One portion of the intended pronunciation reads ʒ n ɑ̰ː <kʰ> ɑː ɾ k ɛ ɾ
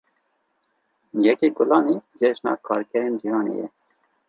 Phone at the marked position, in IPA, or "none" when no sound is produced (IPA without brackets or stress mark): kʰ